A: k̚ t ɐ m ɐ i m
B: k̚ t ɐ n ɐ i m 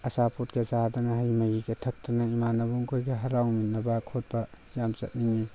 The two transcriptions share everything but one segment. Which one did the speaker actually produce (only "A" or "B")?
B